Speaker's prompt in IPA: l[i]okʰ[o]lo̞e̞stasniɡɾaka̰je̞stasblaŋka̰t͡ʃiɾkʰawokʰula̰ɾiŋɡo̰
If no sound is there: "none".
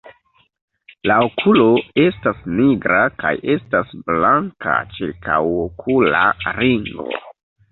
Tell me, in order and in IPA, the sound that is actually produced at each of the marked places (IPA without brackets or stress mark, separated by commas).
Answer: a, u